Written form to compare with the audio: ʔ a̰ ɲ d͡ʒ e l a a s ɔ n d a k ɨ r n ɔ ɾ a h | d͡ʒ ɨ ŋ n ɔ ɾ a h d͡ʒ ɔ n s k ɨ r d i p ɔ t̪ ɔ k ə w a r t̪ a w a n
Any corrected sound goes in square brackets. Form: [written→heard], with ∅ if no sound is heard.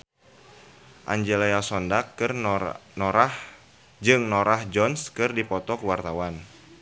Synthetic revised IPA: ʔ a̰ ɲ d͡ʒ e l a a s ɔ n d a k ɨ r n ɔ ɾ a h | d͡ʒ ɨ ŋ n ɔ ɾ a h d͡ʒ ɔ n s k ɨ r d i p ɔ t̪ ɔ k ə w a r t̪ a w a n

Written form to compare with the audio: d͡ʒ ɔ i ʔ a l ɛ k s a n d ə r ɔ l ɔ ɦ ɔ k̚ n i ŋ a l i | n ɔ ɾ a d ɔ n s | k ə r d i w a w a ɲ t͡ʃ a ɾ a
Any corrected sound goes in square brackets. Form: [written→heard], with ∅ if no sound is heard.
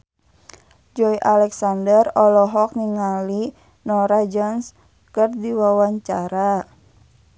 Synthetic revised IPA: d͡ʒ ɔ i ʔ a l ɛ k s a n d ə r ɔ l ɔ ɦ ɔ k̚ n i ŋ a l i | n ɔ ɾ a [d→d͡ʒ] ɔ n s | k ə r d i w a w a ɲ t͡ʃ a ɾ a

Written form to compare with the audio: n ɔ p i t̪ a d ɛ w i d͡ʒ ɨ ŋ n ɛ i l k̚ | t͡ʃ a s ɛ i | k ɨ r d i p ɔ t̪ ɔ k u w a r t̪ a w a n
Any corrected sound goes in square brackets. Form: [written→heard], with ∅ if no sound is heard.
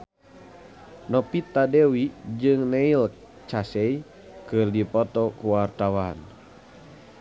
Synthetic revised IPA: n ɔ p i t̪ a d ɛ w i d͡ʒ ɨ ŋ n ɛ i l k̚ | t͡ʃ a s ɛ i | k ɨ r d i p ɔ t̪ ɔ k u w a r t̪ a w a n

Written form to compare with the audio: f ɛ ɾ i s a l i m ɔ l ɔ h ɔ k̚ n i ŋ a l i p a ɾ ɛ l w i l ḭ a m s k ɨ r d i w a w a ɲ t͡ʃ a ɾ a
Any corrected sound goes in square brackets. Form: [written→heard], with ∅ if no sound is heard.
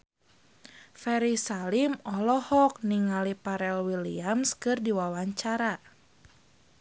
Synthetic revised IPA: f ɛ ɾ i s a l i m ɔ l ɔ h ɔ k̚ n i ŋ a l i p a ɾ ɛ l w i l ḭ a m s k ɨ r d i w a w a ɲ t͡ʃ a ɾ a

